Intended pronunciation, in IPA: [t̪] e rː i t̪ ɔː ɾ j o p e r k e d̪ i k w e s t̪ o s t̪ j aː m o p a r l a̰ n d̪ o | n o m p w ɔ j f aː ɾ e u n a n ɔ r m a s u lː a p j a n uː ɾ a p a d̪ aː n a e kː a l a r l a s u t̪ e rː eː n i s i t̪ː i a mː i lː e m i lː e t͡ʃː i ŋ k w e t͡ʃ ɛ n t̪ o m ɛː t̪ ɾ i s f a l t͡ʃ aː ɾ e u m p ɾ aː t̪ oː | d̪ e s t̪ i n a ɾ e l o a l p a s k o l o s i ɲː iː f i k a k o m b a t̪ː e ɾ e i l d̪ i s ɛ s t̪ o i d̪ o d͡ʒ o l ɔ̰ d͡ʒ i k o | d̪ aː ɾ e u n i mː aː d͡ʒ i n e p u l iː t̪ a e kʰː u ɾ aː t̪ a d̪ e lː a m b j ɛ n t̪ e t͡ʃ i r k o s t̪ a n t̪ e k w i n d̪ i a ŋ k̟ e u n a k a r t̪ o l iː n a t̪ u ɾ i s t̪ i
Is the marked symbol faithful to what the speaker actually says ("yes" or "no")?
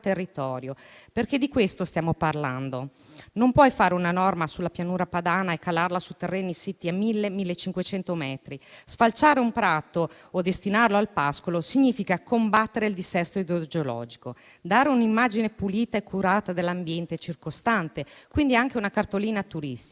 yes